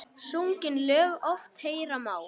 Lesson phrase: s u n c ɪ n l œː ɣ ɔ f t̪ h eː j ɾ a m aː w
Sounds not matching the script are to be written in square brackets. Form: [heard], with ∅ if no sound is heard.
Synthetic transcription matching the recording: s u [ŋ] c ɪ n l œː ɣ ɔ f t̪ h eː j ɾ a m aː w